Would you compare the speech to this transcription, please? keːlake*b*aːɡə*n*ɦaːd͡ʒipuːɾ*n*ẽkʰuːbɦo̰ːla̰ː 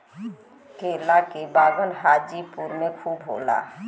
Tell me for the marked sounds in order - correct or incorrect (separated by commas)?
correct, correct, incorrect